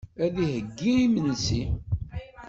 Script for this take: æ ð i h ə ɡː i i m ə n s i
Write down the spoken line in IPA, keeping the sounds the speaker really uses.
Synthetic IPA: æ ð i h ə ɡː i i m ə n s i